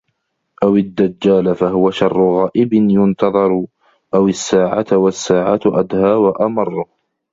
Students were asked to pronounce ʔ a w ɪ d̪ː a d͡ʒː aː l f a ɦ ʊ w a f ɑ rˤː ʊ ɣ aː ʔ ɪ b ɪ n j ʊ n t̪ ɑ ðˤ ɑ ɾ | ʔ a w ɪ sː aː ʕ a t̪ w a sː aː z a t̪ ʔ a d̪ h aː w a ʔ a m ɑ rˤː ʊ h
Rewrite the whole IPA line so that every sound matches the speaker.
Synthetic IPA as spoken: ʔ a w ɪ d̪ː a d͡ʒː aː l f a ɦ ʊ w a ʃ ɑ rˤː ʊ ɣ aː ʔ ɪ b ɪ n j ʊ n t̪ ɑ ðˤ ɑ ɾ | ʔ a w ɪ sː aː ʕ a t̪ w a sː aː ʕ a t̪ ʔ a d̪ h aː w a ʔ a m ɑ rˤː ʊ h